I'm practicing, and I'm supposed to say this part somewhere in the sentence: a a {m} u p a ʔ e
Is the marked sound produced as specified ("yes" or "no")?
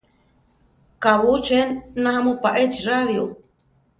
yes